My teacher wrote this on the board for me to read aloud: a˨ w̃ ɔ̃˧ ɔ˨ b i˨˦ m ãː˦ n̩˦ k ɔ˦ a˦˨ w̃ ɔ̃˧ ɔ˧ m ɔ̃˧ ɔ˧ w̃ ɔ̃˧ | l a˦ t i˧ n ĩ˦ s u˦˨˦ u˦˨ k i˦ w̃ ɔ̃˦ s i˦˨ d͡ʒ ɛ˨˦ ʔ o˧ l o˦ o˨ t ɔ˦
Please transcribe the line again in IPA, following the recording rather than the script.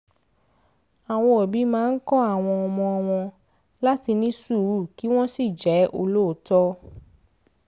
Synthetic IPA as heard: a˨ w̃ ɔ̃˧ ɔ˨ b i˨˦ m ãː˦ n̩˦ k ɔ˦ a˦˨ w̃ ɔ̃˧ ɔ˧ m ɔ̃˧ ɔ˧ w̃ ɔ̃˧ | l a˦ t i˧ n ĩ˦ s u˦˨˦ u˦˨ k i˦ w̃ ɔ̃˦ s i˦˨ d͡ʒ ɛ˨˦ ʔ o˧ l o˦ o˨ t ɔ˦